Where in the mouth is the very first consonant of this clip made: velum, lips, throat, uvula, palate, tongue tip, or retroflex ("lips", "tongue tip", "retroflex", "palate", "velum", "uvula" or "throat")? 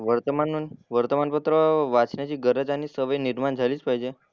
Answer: lips